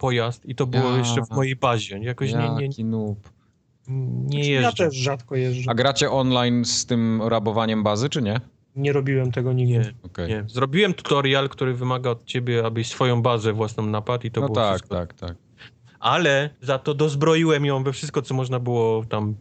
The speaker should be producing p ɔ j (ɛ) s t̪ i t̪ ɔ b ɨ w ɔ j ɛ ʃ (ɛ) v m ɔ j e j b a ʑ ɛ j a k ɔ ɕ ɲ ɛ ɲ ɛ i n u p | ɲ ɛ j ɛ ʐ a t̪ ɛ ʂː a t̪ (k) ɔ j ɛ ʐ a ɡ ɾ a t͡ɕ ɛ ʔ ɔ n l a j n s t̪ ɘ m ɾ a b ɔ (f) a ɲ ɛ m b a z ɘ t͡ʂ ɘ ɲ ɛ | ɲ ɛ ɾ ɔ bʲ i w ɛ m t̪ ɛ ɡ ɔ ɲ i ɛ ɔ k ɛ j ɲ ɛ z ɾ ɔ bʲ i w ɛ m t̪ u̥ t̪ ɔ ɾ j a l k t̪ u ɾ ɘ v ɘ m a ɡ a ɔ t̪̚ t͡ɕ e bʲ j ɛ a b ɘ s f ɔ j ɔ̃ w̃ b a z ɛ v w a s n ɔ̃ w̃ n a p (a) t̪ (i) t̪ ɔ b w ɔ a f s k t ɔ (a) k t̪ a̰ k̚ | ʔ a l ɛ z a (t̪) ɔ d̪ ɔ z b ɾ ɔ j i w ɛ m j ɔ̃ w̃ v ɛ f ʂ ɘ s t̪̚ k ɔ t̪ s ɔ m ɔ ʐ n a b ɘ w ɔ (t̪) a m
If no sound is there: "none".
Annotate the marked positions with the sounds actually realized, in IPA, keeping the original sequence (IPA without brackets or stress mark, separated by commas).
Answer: a, ɛ, k, v, a, i, a, t̪, t̪